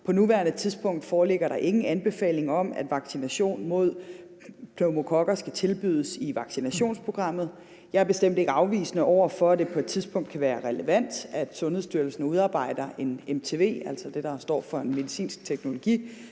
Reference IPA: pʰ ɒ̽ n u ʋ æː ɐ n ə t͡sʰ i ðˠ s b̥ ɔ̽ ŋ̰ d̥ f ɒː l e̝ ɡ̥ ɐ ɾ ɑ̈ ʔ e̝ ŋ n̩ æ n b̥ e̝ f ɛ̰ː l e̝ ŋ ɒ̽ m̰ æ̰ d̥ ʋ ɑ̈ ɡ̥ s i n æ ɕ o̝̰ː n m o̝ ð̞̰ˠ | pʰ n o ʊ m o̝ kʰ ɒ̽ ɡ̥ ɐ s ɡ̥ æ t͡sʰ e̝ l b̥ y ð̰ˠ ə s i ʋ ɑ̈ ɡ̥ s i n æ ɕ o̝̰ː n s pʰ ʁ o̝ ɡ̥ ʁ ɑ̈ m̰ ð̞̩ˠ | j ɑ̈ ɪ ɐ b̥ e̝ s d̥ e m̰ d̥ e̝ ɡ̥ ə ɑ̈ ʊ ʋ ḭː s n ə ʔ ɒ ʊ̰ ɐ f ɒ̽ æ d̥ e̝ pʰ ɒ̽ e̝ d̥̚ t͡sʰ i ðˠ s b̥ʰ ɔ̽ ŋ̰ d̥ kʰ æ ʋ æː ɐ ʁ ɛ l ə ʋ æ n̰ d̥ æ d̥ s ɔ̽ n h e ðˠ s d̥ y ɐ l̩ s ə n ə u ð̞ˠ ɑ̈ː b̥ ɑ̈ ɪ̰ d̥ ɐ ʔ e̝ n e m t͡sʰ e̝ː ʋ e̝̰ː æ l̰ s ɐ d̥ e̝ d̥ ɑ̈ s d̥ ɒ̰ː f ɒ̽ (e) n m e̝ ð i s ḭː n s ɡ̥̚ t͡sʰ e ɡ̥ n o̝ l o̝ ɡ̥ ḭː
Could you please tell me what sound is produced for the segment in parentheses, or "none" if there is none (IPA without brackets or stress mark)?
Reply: e